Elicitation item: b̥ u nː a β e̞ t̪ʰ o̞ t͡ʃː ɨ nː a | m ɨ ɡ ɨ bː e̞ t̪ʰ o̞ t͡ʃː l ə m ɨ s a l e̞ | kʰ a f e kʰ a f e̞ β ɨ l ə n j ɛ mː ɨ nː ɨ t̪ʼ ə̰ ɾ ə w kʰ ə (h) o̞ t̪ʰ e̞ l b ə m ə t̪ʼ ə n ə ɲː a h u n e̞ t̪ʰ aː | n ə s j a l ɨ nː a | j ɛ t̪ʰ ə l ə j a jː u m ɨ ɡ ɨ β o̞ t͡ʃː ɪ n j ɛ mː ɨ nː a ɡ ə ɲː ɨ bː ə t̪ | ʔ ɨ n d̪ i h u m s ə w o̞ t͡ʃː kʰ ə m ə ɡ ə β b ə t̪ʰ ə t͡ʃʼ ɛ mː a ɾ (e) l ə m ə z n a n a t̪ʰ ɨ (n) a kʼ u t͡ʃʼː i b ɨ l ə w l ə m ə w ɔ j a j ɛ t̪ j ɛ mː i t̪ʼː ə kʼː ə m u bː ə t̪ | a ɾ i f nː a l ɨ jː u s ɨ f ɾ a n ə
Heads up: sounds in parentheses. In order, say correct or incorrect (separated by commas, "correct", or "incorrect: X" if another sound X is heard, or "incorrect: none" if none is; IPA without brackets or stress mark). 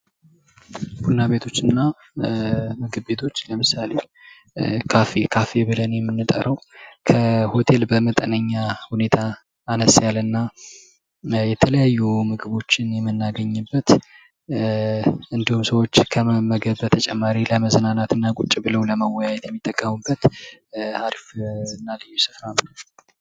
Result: correct, incorrect: i, incorrect: nː